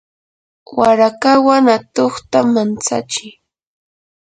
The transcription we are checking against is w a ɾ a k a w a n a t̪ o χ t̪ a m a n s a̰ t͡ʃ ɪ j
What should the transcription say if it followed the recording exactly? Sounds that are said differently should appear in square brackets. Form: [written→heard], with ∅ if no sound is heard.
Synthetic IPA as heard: w a ɾ a k a w a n a t̪ o χ t̪ a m a n [s→t͡s] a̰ t͡ʃ ɪ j